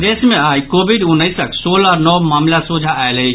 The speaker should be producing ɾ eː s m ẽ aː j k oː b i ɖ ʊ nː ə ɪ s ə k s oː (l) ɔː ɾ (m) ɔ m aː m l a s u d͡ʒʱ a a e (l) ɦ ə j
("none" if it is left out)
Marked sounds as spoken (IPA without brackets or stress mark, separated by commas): l, n, l